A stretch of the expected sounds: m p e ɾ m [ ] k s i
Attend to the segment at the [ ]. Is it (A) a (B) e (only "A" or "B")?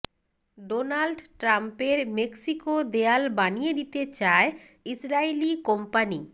B